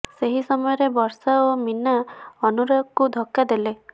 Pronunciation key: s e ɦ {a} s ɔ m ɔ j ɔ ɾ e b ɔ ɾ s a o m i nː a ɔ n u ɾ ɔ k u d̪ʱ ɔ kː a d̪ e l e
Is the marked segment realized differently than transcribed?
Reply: yes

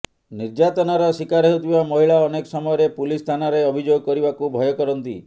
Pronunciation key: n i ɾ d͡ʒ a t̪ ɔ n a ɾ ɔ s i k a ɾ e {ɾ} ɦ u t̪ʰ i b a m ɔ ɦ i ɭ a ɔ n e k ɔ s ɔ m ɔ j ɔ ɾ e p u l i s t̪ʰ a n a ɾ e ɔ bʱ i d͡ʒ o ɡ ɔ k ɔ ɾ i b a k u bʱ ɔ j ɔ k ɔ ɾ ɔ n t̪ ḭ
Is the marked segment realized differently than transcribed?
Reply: yes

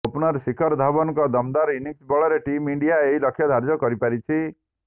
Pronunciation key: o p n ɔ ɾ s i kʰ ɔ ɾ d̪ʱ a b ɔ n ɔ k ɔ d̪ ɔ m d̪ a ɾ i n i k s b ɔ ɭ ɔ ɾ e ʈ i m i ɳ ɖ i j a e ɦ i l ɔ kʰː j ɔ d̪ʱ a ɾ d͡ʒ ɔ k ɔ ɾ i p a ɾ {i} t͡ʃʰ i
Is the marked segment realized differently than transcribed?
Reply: no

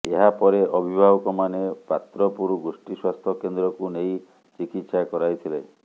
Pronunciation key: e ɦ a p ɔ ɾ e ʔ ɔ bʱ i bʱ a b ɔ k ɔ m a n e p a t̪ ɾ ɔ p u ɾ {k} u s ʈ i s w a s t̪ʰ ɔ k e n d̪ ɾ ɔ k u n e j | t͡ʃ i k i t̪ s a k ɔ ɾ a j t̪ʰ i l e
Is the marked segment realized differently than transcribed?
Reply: yes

